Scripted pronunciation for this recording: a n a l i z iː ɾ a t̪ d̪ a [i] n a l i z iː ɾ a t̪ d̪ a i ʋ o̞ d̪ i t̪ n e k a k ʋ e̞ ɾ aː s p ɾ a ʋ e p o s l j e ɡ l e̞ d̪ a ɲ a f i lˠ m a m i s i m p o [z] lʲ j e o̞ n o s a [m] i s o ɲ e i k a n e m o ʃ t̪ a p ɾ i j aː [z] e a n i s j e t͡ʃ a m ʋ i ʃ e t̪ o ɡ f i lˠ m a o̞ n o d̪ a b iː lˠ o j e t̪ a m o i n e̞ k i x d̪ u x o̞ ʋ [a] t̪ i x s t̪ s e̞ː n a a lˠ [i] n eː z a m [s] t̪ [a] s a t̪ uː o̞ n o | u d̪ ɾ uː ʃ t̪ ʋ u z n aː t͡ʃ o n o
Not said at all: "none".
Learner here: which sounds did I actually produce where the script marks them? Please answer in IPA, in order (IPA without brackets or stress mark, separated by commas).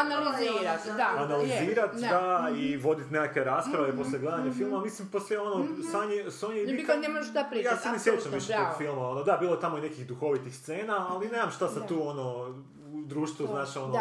a, s, ɲ, s, i, i, ʃ, a